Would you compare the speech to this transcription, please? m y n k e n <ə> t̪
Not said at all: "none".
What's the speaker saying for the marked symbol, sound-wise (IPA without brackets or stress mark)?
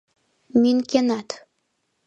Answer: ɑ